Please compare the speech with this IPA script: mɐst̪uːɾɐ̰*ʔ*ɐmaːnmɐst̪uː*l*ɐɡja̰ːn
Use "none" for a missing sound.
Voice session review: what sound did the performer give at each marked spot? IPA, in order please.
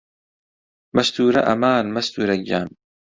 ʔ, ɾ

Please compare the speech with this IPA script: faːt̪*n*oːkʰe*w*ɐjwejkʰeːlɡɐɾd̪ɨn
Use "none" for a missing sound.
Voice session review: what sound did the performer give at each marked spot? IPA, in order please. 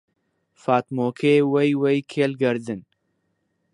m, w

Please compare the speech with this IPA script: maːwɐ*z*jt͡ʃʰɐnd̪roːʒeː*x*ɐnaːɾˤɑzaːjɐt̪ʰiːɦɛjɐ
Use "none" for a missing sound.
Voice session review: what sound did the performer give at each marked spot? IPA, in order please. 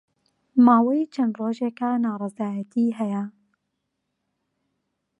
none, k

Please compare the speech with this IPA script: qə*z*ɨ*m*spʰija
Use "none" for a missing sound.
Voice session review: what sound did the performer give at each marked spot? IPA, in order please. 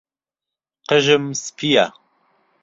ʒ, m

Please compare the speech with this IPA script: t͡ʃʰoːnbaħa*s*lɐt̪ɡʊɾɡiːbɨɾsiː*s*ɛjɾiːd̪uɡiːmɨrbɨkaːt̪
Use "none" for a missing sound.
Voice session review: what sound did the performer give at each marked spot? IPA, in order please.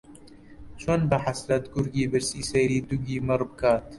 s, s

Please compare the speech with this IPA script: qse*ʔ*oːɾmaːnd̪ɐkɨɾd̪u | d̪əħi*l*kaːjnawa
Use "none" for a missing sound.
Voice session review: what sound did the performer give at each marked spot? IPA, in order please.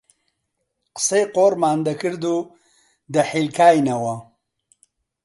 q, l

